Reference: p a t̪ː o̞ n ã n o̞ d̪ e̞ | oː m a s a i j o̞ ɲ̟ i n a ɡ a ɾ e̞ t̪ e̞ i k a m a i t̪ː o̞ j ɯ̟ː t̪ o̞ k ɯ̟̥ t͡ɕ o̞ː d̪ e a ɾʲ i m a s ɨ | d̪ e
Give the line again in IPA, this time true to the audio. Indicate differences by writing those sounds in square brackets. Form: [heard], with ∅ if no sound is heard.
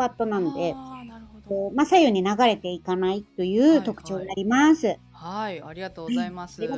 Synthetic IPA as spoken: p a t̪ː o̞ n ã n o̞ d̪ e̞ | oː m a s a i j o̞ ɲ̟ i n a ɡ a ɾ e̞ t̪ e̞ i k a [n] a i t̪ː o̞ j ɯ̟ː t̪ o̞ k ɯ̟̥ t͡ɕ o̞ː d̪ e a ɾʲ i m a s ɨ | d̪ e